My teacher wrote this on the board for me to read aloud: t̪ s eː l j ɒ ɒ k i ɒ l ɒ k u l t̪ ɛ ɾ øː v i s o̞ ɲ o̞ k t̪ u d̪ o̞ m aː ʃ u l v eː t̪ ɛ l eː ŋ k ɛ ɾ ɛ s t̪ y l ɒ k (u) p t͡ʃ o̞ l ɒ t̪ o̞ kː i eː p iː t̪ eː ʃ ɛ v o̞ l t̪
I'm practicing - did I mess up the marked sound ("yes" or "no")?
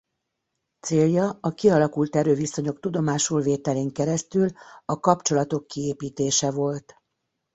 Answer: yes